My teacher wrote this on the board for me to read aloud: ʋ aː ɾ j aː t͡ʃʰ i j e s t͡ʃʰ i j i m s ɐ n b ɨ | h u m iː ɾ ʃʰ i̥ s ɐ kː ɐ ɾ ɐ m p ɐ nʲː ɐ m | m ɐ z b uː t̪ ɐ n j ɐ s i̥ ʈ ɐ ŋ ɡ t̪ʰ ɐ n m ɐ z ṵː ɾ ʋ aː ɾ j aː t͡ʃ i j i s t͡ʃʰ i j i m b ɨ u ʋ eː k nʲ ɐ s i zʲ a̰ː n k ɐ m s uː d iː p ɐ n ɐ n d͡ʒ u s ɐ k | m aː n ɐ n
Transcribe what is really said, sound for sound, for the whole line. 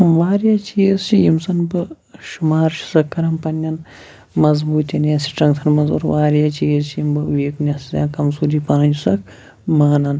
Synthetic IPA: ʋ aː ɾ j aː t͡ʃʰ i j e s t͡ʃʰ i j i m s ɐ n b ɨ | ʃ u m aː ɾ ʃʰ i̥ s ɐ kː ɐ ɾ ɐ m p ɐ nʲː ɐ n | m ɐ z b uː t̪ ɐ n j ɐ s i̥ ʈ ɐ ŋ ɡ t̪ʰ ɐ n m ɐ z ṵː ɾ ʋ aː ɾ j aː t͡ʃ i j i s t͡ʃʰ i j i m b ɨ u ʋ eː k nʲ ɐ s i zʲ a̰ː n k ɐ m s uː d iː p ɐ n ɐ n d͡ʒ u s ɐ k | m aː n ɐ n